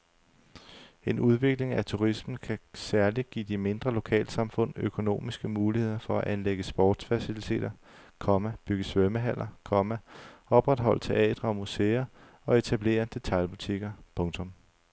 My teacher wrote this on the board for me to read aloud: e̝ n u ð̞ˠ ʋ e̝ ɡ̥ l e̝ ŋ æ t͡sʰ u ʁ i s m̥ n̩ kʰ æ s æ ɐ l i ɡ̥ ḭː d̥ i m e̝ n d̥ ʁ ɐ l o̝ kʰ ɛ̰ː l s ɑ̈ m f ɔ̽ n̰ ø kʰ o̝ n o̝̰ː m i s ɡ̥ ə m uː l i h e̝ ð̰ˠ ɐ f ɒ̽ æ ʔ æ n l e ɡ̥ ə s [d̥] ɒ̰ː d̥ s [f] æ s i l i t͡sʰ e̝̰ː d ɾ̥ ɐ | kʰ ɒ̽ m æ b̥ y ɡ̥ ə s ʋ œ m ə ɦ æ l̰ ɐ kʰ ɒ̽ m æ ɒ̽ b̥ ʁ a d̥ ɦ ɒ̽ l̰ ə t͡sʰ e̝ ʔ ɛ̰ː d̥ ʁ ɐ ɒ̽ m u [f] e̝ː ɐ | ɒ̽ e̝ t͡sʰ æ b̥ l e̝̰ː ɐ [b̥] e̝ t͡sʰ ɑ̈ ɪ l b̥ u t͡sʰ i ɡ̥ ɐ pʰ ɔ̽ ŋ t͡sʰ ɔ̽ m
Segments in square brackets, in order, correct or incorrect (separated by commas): incorrect, correct, incorrect, incorrect